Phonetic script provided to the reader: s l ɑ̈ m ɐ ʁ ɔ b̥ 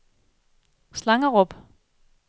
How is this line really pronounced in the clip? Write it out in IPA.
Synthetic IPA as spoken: s l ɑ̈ ŋ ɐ ʁ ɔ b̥